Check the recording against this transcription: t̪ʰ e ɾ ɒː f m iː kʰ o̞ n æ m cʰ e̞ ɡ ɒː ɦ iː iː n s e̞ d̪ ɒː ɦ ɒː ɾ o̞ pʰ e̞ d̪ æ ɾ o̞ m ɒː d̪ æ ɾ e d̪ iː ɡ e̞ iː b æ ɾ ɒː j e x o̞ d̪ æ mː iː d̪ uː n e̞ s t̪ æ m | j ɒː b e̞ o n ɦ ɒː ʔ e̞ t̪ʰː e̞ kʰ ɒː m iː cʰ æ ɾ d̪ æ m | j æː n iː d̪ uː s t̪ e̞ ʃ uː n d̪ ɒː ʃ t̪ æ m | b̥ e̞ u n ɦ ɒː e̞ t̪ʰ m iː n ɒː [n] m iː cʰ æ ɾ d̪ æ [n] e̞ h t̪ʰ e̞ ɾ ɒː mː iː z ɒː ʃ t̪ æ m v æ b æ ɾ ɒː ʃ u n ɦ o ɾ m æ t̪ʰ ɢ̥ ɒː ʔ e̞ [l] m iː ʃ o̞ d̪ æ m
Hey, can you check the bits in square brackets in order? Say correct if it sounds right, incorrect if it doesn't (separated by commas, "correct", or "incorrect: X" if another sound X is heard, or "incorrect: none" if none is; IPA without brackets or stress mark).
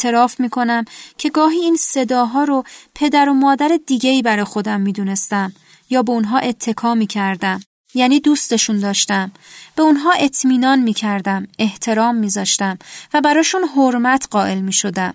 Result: correct, incorrect: m, correct